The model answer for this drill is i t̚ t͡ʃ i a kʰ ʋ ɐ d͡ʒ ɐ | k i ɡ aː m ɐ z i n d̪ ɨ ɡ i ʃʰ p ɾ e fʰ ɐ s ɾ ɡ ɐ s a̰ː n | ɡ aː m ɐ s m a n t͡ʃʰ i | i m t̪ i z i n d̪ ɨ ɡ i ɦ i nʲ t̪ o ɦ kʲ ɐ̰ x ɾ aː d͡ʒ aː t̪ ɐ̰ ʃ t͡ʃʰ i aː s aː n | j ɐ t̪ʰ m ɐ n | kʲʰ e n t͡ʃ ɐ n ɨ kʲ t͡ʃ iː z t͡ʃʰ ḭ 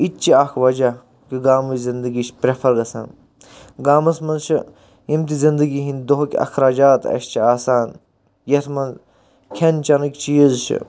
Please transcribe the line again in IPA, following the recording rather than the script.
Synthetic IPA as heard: i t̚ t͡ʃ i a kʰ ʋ ɐ d͡ʒ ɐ | k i ɡ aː m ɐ z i n d̪ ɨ ɡ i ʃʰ p ɾ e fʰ ɐ ɾ ɡ ɐ s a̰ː n | ɡ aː m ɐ s m ɐ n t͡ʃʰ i | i m t̪ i z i n d̪ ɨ ɡ i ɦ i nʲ d̪ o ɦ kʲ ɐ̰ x ɾ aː d͡ʒ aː t̪ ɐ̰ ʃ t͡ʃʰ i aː s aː n | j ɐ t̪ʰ m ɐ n | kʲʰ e n t͡ʃ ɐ n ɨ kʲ t͡ʃ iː z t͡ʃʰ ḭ